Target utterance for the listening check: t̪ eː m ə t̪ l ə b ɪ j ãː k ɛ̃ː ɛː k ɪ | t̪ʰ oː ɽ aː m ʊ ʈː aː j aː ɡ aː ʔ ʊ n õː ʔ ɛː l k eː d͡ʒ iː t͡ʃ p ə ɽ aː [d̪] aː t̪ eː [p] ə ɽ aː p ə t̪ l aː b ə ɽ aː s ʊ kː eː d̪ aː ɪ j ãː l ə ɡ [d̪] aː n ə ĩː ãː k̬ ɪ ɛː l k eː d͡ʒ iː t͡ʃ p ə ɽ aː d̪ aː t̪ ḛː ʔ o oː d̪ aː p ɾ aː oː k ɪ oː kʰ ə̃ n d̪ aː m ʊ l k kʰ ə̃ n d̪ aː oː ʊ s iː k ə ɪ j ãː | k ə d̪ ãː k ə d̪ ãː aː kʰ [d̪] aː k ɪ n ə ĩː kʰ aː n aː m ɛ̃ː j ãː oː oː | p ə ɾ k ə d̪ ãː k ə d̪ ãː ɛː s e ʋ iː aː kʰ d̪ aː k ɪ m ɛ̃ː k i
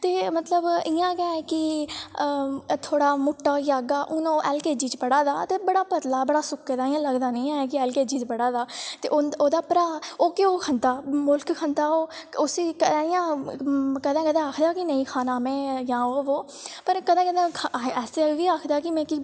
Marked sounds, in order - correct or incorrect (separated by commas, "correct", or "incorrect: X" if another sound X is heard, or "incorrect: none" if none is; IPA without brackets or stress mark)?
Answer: correct, incorrect: b, correct, correct